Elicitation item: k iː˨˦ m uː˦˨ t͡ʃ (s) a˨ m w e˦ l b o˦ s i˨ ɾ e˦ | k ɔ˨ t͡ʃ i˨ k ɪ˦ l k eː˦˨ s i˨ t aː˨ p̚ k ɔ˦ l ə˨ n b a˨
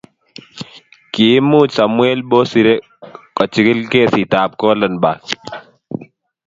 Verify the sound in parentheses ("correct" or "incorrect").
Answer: correct